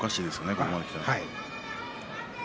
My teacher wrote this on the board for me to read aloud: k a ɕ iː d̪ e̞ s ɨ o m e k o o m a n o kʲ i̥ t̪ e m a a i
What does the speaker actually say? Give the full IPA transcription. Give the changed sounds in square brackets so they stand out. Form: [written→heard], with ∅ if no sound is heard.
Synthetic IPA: k a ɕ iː d̪ e̞ s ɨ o [m→n] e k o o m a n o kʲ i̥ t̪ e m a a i